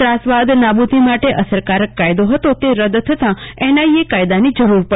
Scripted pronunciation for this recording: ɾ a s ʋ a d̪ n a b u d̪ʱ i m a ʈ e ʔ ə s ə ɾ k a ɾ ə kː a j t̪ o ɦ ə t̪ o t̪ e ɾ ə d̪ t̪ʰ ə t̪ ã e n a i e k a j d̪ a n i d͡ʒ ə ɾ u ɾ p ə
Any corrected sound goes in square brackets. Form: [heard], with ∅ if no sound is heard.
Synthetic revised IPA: ɾ a s ʋ a d̪ n a b u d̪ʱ i m a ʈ e ʔ ə s ə ɾ k a ɾ ə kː a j [d̪] o ɦ ə t̪ o t̪ e ɾ ə d̪ t̪ʰ ə t̪ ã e n a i e k a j d̪ a n i d͡ʒ ə ɾ u ɾ p ə